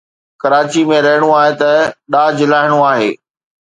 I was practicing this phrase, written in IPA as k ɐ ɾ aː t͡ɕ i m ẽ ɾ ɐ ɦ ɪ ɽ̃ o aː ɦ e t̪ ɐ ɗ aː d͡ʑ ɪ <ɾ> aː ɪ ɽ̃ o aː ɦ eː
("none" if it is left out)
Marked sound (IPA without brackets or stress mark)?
l